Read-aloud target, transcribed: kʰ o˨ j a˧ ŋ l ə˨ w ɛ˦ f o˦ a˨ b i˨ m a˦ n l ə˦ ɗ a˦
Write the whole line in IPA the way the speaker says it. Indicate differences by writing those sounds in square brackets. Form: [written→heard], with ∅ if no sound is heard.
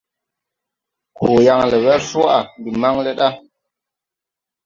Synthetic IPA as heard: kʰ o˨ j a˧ ŋ l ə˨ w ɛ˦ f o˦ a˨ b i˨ m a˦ [n→ŋ] l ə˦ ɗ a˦